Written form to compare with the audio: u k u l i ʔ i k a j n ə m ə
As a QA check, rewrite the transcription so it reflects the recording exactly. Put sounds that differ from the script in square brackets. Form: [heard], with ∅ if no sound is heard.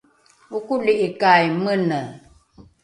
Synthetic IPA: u k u l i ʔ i k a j [m] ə [n] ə

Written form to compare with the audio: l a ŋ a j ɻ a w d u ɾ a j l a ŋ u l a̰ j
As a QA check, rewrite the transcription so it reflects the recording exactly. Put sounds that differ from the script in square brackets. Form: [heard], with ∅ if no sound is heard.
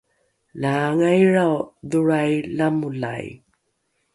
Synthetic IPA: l a ŋ a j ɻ a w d u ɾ a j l a [m] u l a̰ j

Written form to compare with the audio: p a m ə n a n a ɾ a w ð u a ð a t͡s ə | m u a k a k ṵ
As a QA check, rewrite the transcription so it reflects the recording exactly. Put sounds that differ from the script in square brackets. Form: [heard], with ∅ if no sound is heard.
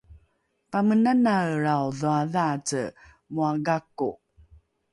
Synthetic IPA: p a m ə n a n a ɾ a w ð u a ð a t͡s ə | m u a [ɡ] a k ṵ

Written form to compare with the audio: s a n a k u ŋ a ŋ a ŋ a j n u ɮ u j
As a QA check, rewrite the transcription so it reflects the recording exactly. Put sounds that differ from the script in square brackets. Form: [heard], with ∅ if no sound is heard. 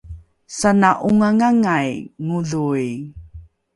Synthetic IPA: s a n a [ʔ] u ŋ a ŋ a ŋ a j [ŋ] u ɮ u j

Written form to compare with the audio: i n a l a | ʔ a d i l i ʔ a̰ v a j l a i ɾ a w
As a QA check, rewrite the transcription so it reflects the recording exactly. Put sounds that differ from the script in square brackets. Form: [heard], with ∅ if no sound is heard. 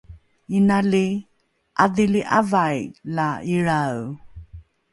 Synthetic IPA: i n a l [i] | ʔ a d i l i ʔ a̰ v a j l a i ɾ a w

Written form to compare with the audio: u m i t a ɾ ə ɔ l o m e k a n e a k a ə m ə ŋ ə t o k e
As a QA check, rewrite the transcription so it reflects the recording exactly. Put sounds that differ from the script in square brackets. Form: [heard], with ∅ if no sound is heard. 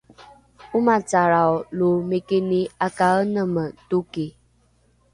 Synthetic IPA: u m [a] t a ɾ [a] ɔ l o m e k [e] n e a k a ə [n] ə [m] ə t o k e

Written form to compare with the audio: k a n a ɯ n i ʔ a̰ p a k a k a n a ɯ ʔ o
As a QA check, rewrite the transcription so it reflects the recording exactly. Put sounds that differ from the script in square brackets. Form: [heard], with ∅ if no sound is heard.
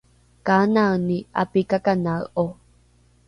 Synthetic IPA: k a n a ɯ n i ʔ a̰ p [i] k a k a n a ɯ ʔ o

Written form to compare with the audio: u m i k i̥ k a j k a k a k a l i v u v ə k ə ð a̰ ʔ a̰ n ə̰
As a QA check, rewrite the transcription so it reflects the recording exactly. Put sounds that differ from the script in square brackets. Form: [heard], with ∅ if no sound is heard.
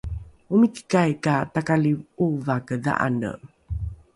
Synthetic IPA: u m i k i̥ k a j k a [t] a k a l i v u v [a] k ə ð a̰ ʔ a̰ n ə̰

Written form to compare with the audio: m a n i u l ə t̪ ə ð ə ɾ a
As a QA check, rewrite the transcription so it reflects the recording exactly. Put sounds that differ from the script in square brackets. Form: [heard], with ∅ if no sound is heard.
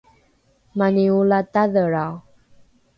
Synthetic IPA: m a n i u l [a] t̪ [a] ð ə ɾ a

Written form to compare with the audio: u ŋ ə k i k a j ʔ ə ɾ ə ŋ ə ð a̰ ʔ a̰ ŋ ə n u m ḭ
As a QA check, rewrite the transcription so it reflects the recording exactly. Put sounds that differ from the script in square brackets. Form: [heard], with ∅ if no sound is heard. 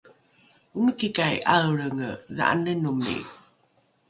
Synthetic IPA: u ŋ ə k i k a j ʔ [a] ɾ ə ŋ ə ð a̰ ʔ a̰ [n] ə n u m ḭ

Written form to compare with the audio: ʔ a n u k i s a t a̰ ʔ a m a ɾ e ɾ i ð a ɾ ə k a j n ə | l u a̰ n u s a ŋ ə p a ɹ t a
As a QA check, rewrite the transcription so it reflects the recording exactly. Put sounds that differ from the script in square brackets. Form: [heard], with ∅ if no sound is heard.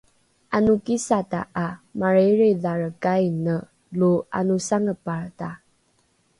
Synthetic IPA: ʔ a n u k i s a t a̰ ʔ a m a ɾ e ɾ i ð a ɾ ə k a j n ə | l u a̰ n u s a ŋ ə p a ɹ t a

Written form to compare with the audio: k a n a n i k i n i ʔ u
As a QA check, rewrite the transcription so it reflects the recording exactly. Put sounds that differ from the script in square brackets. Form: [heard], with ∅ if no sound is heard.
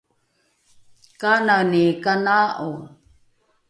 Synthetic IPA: k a n a n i k [a] n [a] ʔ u

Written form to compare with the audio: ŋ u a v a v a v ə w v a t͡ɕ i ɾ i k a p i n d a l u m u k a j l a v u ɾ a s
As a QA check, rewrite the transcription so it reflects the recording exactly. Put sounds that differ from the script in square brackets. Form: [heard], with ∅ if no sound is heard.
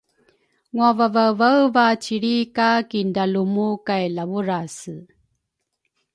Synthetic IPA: ŋ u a v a v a v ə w v a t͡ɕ i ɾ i k a [k] i n d a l u m u k a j l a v u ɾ a s

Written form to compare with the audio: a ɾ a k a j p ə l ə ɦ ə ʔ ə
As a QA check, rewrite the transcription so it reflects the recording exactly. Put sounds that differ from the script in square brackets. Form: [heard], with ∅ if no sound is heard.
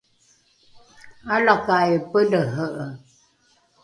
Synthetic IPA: a [l] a k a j p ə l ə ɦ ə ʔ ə

